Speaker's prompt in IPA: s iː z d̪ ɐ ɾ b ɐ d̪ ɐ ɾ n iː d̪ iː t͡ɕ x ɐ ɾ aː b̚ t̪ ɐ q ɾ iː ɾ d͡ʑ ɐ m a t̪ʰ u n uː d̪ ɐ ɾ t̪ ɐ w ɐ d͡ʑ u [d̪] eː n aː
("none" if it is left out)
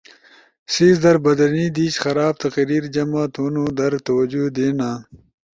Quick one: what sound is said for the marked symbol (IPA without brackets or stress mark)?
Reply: d̪